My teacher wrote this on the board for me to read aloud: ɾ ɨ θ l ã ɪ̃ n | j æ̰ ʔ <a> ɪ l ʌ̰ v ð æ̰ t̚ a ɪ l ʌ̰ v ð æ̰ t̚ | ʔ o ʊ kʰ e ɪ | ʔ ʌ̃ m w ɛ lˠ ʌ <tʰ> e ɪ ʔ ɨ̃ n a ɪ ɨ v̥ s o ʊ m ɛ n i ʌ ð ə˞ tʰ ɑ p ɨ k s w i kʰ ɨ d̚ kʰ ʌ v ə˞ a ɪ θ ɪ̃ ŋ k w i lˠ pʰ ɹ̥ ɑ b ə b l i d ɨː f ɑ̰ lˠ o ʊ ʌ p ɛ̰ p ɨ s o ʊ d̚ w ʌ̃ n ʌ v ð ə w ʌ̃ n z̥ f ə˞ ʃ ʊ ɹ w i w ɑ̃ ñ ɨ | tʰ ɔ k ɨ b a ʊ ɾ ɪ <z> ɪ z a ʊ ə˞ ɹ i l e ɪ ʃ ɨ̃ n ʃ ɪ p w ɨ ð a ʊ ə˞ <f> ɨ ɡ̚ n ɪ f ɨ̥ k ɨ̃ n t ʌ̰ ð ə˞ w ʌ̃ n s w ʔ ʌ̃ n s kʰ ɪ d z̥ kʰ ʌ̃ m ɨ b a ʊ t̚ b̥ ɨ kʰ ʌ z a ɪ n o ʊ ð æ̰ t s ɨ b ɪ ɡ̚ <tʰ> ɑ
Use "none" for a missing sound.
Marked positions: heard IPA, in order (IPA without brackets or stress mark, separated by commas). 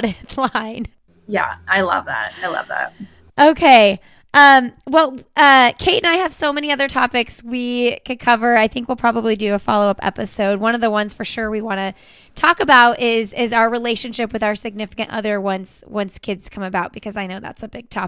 a, kʰ, z, s, tʰ